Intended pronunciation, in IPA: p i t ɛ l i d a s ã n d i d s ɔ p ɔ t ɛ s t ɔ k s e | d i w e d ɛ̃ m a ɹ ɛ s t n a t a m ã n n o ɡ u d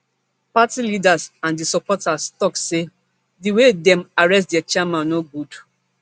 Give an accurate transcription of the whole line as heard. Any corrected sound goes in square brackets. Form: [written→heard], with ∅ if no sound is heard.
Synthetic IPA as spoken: p [i→a] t [ɛ→i] l i d a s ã n d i [d→∅] s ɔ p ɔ t [ɛ→a] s t ɔ k s e | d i w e d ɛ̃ m a ɹ ɛ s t [n→d] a [t→t͡ʃ] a m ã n n o ɡ u d

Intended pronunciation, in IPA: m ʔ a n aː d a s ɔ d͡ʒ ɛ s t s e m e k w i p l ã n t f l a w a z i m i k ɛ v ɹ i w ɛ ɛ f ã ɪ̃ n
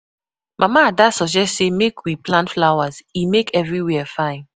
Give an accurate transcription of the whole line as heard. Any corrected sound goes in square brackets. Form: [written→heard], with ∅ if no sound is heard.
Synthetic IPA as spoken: m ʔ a [n→m] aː d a s ɔ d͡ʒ ɛ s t s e m e k w i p l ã n t f l a w a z i m [i→e] k ɛ v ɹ i w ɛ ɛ f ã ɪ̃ n

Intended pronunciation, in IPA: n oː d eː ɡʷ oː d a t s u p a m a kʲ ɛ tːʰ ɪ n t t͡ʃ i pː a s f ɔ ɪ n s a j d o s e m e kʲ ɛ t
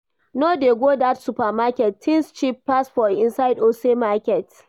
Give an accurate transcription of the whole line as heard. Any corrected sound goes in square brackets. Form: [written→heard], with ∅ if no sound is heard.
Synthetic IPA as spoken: n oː d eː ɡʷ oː d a t s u p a m a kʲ ɛ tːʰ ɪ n [t→s] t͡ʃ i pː a s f ɔ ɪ n s a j d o s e m [e→a] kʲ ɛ t

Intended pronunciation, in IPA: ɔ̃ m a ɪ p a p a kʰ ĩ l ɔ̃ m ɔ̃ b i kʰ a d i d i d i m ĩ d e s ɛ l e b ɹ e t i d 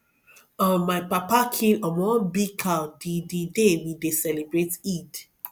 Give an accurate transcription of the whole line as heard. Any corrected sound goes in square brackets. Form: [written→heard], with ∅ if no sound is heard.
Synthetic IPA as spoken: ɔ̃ m a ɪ p a p a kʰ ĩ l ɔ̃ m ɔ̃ b i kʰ a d i d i d [i→e] m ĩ d e s ɛ l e b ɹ e t i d

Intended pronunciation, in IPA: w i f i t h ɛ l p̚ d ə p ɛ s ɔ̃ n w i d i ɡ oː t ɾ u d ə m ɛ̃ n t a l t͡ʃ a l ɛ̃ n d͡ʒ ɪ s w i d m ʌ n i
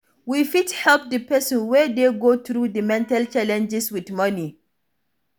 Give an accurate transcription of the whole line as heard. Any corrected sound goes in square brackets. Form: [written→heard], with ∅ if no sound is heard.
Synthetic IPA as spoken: w i f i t h ɛ l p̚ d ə p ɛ s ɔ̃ n w [i→ɛ] d [i→e] ɡ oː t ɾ u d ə m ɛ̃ n t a l t͡ʃ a l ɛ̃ n d͡ʒ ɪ s w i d m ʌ n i

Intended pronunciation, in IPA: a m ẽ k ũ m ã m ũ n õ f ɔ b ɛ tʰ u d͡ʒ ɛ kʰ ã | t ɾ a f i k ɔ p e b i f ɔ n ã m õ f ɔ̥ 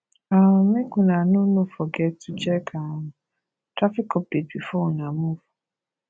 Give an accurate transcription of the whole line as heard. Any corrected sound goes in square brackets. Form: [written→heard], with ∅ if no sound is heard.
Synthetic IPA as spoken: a m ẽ k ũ [m→n] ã [m→n] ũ n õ f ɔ [b→ɡ] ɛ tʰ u d͡ʒ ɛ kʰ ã | t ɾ a f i k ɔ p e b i f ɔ n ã m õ f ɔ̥

